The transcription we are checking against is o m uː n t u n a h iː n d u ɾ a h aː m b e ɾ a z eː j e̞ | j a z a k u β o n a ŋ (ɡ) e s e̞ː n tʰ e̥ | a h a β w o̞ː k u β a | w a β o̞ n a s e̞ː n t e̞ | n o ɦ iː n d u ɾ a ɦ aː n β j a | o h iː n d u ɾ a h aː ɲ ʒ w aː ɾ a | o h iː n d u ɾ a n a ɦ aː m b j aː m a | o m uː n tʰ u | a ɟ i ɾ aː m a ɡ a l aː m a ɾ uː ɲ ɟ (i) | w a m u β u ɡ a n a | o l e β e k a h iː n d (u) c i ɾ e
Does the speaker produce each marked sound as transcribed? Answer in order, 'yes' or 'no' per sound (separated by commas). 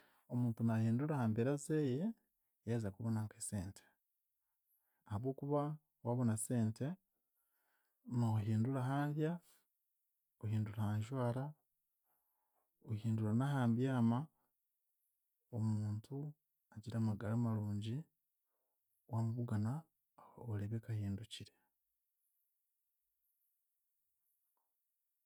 no, yes, yes